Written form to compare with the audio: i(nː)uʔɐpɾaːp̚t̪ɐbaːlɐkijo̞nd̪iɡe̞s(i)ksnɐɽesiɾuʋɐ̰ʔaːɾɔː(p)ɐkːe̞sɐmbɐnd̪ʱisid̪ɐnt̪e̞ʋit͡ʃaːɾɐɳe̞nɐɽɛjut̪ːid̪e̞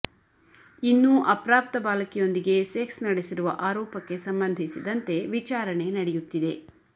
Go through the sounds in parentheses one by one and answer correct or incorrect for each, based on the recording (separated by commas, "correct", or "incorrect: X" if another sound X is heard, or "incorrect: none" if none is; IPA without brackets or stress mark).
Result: correct, incorrect: e, correct